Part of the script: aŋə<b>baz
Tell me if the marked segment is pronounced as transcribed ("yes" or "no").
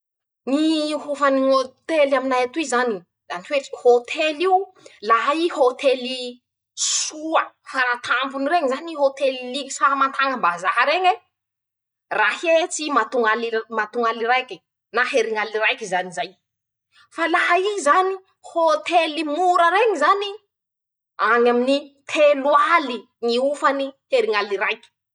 no